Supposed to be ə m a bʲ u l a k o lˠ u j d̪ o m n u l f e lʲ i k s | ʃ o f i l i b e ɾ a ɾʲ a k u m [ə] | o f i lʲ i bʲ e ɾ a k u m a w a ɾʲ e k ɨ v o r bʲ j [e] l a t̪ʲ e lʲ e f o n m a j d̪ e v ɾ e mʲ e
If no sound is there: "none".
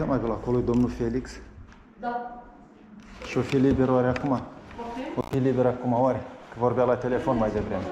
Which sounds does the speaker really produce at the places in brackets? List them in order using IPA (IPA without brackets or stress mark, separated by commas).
a, a